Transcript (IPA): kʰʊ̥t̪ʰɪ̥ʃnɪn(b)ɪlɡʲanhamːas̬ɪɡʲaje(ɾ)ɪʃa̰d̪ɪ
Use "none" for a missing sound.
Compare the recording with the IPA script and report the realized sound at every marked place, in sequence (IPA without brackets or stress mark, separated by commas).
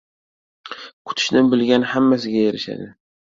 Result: b, ɾ